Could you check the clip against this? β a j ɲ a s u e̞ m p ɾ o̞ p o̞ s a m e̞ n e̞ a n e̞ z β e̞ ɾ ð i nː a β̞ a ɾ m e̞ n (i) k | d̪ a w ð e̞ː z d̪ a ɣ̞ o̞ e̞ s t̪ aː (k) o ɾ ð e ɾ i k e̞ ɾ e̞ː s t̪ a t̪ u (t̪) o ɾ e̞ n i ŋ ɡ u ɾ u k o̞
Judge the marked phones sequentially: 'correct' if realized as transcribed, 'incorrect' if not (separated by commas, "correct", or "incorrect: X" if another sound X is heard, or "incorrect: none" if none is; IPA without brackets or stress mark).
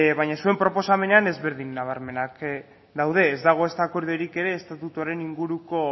incorrect: a, correct, correct